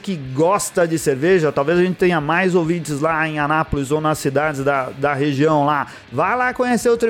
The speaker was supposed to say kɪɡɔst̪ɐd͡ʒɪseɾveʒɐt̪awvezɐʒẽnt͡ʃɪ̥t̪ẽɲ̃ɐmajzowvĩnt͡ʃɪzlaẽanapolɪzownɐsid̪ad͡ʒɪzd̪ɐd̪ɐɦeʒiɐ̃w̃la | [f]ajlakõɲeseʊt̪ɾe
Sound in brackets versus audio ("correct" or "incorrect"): incorrect